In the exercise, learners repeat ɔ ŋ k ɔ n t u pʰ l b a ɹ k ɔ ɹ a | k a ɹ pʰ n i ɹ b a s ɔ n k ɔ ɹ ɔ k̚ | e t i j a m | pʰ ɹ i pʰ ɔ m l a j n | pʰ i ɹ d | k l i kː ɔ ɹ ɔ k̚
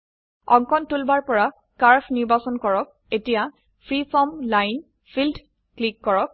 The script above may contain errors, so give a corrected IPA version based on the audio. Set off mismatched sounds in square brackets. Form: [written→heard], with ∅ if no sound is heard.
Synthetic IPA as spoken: ɔ ŋ k ɔ n t u [pʰ→∅] l b a ɹ [k→p] ɔ ɹ a | k a ɹ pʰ n i ɹ b a s ɔ n k ɔ ɹ ɔ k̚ | e t i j a [m→∅] | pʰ ɹ i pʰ ɔ m l a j n | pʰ i [ɹ→l] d | k l i kː ɔ ɹ ɔ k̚